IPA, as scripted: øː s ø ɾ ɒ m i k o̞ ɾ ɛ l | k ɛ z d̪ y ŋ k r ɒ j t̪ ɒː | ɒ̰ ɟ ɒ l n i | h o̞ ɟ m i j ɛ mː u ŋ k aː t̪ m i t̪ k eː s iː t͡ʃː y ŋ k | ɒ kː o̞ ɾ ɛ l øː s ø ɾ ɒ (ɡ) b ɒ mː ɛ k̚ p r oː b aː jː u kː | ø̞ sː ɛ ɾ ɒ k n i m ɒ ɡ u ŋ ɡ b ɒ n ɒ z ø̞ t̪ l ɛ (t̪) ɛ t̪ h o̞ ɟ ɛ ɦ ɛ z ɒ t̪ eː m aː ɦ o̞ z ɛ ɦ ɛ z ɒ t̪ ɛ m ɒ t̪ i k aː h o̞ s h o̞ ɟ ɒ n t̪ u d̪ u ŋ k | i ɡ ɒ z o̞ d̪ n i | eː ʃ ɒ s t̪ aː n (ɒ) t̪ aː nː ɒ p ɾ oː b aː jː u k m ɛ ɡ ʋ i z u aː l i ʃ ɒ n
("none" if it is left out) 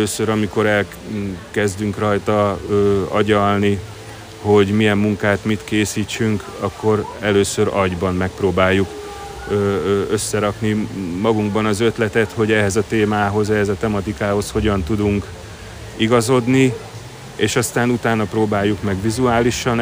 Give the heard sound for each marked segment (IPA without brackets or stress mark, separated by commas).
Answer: ɟ, t̪, u